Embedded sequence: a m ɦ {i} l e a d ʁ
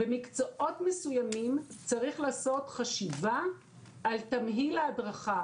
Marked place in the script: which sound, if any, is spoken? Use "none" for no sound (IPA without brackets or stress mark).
i